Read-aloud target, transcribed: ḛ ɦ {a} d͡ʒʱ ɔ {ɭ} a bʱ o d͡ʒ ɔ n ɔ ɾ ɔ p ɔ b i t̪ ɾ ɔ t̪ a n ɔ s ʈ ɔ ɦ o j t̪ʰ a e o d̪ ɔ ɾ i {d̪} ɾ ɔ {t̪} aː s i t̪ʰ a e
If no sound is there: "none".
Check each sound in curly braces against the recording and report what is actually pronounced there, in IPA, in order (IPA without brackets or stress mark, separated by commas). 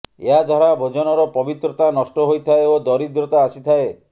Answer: a, ɾ, d̪, t̪